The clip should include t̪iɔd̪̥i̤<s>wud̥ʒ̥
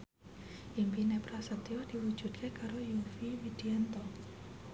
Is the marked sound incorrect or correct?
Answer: incorrect